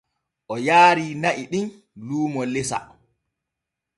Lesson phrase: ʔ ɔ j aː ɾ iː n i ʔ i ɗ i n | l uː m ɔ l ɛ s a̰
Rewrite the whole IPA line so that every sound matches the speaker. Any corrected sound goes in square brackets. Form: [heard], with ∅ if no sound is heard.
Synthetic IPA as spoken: ʔ ɔ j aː ɾ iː n [a] ʔ i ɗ i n | l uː m ɔ l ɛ s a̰